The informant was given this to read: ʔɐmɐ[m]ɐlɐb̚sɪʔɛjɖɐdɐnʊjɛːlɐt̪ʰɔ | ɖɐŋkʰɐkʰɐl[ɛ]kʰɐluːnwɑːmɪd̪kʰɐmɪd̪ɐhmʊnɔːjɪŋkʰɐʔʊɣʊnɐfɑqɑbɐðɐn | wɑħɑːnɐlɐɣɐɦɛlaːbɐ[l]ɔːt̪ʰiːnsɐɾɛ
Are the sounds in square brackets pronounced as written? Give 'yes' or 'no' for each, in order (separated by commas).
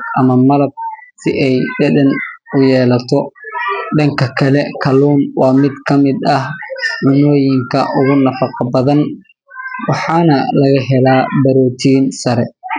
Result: yes, yes, no